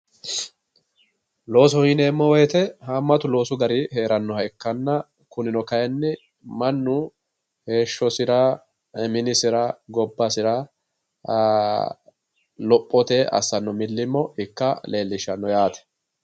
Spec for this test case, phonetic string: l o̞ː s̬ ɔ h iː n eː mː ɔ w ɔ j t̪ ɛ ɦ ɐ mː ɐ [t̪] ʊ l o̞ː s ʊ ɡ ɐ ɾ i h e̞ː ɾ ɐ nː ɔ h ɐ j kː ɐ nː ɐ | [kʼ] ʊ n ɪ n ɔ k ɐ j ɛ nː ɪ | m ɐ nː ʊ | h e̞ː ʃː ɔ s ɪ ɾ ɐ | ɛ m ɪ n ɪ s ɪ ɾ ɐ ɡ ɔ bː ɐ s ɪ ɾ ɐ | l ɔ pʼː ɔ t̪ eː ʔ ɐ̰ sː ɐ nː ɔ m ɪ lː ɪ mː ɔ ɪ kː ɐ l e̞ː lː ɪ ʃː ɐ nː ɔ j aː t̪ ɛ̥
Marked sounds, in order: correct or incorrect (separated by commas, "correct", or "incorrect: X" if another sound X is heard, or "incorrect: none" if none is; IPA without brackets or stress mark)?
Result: correct, incorrect: k